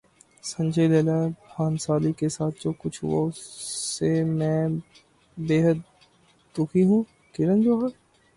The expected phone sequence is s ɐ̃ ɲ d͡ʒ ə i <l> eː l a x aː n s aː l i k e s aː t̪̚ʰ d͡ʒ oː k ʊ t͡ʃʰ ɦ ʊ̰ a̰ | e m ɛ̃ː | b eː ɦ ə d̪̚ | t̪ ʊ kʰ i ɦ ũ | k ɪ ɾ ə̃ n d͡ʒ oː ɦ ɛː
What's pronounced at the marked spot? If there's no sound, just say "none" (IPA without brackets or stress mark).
l